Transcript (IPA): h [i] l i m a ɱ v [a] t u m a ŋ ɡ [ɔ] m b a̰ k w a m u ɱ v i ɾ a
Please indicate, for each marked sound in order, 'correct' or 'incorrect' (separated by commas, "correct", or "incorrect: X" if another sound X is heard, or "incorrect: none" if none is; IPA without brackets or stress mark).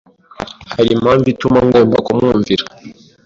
incorrect: a, incorrect: i, correct